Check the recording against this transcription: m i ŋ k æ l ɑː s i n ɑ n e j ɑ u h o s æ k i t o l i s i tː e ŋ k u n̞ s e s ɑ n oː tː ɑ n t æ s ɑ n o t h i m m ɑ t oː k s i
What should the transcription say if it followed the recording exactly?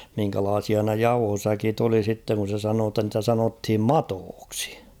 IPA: m i ŋ k æ l ɑː s i ɑ n e j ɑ u h o s æ k i t o l i s i tː e ŋ k u n̞ s e s ɑ n oː tː ɑ n t æ s ɑ n o t h i m m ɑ t oː k s i